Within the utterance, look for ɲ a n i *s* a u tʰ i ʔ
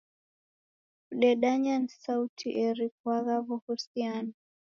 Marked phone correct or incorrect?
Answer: correct